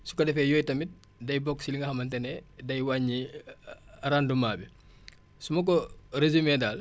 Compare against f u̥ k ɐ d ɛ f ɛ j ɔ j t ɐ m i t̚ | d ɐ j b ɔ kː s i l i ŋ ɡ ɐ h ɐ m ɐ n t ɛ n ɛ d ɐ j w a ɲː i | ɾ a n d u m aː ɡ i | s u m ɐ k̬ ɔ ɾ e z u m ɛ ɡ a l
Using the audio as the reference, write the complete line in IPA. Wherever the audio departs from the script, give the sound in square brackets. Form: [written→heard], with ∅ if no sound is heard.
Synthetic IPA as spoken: [f→s] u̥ k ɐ d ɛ f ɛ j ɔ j t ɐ m i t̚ | d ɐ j b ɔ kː s i l i ŋ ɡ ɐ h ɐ m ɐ n t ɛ n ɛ d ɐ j w a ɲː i | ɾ a n d u m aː [ɡ→b] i | s u m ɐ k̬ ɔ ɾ e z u m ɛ [ɡ→d] a l